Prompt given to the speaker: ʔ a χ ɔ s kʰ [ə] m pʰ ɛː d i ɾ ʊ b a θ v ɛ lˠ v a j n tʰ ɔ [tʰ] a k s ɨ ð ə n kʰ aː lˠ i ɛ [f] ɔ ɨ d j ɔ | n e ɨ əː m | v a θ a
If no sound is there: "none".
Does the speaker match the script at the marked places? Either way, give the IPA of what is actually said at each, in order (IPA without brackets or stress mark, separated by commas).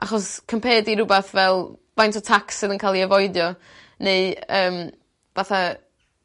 ə, tʰ, v